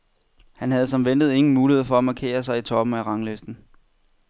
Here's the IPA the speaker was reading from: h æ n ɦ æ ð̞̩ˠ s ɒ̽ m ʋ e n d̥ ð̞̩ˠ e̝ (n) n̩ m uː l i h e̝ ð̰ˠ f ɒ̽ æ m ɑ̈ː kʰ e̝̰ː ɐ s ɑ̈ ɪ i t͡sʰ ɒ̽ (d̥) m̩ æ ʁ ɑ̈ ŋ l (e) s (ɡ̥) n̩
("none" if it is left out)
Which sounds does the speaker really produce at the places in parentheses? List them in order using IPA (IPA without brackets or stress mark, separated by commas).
ŋ, b̥, e, d̥